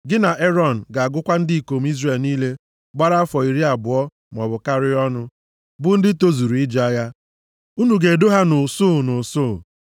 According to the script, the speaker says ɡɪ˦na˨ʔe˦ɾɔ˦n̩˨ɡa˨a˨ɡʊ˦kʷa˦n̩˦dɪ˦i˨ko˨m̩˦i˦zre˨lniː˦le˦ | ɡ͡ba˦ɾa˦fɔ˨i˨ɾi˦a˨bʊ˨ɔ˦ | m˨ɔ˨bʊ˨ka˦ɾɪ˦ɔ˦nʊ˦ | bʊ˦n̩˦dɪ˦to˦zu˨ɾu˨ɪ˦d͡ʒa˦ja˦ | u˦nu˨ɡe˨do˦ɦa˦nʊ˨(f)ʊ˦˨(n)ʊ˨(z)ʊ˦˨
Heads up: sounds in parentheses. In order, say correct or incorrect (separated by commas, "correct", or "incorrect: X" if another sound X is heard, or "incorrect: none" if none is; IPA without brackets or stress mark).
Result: incorrect: s, correct, incorrect: s